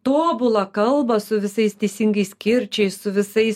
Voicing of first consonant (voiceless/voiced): voiceless